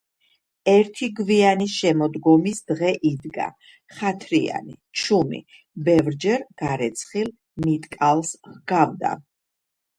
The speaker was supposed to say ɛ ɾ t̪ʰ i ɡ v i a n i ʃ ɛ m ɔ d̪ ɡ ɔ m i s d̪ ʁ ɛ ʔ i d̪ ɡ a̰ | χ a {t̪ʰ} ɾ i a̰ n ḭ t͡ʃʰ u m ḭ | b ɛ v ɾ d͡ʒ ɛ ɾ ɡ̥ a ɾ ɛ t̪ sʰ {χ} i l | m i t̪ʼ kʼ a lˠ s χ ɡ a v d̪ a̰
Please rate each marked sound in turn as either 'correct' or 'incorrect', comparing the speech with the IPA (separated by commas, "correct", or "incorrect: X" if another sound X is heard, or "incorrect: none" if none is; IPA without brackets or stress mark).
correct, correct